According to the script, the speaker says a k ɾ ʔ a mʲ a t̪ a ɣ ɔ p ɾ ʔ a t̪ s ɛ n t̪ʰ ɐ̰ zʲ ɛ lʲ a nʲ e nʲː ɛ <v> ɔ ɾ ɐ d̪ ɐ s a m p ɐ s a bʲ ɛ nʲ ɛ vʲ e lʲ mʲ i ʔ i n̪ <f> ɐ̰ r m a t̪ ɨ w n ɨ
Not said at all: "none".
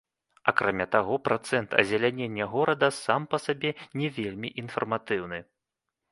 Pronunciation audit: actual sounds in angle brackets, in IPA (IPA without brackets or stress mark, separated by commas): ɣ, f